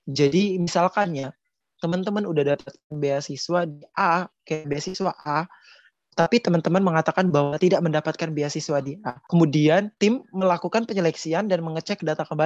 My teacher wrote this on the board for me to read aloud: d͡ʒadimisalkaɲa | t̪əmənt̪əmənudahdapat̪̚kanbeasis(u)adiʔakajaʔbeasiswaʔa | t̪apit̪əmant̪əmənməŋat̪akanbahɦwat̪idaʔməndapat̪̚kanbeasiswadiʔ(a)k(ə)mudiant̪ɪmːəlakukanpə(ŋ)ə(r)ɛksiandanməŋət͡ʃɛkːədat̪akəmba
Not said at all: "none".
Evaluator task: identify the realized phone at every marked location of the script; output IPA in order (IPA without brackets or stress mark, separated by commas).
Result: w, a, ə, ɲ, l